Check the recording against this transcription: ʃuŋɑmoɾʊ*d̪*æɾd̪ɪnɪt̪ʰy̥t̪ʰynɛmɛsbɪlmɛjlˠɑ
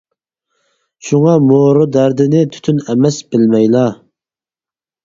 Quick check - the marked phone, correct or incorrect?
correct